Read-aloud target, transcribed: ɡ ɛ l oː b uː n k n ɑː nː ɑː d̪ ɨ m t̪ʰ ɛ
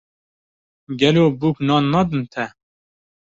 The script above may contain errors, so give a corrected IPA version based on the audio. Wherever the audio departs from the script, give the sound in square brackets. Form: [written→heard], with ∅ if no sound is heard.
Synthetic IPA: ɡ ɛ l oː b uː [n→∅] k n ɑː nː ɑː d̪ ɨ [m→n] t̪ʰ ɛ